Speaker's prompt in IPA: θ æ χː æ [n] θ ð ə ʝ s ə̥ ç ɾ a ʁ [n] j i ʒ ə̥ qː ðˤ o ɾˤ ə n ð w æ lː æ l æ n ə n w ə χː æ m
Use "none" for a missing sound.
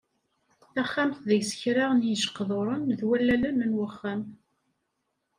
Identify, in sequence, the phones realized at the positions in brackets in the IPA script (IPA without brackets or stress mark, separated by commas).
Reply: m, n